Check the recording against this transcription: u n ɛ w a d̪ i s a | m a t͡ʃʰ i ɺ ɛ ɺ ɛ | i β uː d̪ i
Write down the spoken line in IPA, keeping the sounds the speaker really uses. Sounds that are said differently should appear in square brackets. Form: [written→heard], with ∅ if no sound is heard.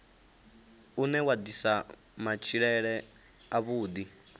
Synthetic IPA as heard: u n ɛ w a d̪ i s a | m a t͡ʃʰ i ɺ ɛ ɺ ɛ | [i→a] β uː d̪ i